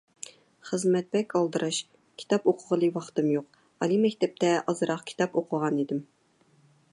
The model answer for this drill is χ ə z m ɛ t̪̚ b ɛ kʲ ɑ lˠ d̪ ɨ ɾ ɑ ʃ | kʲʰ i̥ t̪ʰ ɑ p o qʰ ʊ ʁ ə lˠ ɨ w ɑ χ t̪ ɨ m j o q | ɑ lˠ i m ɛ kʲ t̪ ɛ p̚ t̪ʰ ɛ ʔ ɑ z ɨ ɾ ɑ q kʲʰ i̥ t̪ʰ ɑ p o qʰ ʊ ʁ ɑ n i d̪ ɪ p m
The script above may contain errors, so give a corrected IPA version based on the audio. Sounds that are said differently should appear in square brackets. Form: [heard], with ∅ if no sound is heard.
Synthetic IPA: χ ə z m ɛ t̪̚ b ɛ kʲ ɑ lˠ d̪ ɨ ɾ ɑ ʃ | kʲʰ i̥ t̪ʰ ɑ p o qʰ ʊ ʁ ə lˠ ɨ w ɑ χ t̪ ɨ m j o q | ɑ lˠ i m ɛ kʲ t̪ ɛ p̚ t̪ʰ ɛ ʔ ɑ z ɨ ɾ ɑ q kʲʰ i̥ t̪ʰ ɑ p o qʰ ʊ ʁ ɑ n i d̪ ɪ [∅] m